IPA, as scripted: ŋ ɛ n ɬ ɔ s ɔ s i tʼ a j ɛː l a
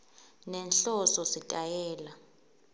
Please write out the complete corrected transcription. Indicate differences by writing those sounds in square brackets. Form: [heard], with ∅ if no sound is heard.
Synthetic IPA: [n] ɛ n ɬ ɔ s ɔ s i tʼ a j ɛː l a